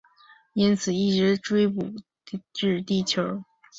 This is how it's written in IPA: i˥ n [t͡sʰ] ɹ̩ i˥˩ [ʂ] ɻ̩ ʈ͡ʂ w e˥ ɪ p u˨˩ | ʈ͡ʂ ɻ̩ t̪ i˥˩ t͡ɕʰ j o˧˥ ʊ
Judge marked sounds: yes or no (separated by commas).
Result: yes, no